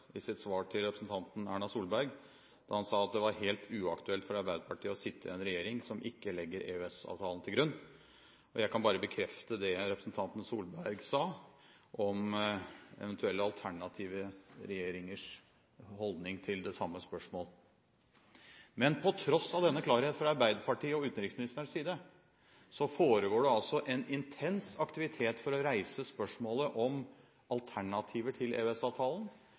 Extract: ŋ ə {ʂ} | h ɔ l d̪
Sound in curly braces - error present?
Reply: no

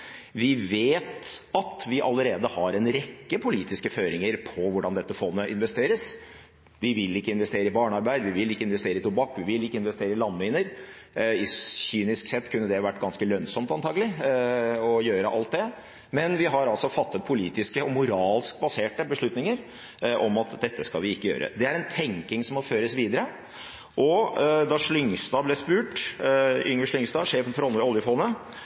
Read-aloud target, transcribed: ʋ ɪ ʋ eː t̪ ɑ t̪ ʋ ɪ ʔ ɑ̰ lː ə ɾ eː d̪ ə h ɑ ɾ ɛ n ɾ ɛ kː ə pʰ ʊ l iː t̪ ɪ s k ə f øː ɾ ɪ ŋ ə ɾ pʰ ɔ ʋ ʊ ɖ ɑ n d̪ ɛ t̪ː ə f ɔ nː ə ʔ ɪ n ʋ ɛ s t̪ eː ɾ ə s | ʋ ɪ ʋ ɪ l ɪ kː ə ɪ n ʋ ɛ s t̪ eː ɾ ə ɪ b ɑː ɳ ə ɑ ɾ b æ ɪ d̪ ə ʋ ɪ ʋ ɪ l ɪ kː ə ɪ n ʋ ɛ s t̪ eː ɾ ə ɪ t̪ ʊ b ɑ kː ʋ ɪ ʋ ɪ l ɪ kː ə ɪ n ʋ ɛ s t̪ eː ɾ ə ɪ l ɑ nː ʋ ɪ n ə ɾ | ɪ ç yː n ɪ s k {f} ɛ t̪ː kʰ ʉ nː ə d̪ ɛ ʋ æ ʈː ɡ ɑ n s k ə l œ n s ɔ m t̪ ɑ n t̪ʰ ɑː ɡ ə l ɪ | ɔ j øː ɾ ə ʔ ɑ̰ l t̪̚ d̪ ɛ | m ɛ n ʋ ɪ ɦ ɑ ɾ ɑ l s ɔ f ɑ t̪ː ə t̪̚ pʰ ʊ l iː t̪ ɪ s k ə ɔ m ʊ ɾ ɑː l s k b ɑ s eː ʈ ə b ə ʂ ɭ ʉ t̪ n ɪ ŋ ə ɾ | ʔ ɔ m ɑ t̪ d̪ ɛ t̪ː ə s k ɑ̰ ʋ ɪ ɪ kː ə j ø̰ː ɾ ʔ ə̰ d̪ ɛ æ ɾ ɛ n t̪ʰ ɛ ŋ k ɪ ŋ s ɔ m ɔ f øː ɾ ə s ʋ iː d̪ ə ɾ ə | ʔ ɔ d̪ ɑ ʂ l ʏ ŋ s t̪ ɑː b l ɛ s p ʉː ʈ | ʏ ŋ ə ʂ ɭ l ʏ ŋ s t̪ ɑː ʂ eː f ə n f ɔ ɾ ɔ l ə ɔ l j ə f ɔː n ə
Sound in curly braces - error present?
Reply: yes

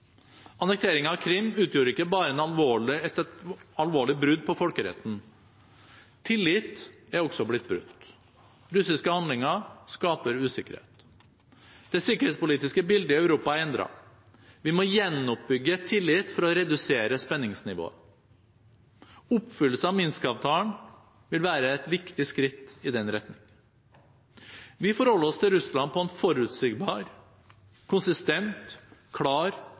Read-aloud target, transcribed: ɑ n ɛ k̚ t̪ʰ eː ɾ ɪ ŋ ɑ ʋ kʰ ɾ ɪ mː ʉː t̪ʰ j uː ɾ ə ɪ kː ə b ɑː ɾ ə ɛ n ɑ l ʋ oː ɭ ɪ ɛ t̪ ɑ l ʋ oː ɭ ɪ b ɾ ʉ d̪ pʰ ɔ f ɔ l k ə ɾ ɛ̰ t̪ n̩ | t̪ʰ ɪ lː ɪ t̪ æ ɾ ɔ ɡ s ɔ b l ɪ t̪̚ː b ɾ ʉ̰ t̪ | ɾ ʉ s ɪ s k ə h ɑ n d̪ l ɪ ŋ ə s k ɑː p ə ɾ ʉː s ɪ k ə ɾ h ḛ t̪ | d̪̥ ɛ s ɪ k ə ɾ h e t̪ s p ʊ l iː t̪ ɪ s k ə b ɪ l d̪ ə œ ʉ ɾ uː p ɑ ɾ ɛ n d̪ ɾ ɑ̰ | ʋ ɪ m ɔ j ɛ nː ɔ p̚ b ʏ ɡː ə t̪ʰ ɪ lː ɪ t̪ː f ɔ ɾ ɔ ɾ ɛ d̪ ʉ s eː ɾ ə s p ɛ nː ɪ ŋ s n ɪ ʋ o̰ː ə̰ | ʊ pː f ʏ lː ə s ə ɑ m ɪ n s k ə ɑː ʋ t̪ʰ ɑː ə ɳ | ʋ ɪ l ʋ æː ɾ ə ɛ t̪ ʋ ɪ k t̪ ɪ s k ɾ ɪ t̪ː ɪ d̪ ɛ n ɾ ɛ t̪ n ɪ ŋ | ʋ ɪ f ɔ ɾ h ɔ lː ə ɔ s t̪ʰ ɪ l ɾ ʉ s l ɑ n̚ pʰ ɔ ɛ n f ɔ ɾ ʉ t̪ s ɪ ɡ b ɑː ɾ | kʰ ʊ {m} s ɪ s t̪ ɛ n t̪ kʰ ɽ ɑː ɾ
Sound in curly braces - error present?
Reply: yes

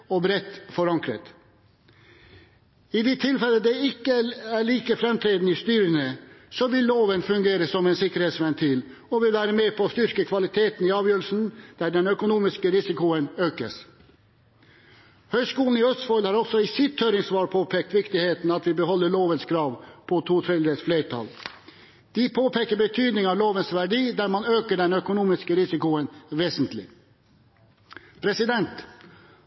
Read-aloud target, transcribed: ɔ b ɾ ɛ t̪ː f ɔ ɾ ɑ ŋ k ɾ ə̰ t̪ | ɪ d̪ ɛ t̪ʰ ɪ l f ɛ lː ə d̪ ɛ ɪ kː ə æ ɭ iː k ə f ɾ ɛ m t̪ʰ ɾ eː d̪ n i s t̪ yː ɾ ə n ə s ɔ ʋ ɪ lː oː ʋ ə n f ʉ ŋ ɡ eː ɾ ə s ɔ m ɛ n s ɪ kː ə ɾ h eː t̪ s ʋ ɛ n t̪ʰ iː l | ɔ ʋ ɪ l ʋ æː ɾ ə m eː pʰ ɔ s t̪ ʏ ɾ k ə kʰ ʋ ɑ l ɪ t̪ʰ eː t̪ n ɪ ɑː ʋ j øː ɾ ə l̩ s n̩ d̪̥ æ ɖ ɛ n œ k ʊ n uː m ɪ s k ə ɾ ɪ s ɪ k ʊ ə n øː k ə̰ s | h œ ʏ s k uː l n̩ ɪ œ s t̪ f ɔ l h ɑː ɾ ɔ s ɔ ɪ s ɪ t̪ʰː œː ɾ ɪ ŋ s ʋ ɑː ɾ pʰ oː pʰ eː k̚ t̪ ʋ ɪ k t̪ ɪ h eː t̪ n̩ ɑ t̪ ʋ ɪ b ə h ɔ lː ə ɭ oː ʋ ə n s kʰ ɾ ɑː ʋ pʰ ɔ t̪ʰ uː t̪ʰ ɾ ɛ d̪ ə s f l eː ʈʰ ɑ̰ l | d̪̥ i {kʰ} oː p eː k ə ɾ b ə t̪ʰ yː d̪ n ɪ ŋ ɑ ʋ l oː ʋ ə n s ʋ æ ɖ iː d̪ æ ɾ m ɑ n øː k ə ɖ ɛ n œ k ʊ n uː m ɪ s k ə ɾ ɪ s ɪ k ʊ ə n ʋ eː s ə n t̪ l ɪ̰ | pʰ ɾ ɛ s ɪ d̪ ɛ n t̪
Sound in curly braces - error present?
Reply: yes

